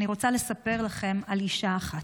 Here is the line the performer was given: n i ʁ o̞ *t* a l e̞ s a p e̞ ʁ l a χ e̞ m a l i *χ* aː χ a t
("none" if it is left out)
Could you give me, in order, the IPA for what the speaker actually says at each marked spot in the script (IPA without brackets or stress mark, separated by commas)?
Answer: t͡s, ʃ